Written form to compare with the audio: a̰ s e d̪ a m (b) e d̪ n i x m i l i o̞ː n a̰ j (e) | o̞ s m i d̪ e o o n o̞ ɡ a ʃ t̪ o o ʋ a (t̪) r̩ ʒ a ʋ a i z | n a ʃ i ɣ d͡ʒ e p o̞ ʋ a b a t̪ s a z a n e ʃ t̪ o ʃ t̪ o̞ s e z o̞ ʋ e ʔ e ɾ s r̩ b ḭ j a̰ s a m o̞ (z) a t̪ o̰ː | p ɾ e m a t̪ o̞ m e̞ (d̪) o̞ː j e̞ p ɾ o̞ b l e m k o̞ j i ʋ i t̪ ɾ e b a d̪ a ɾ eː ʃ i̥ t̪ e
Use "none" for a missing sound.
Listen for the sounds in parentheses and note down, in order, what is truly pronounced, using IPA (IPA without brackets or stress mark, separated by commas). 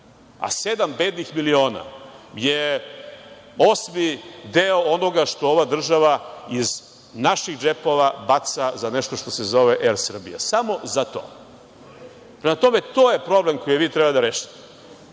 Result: b, e, d̪, z, t̪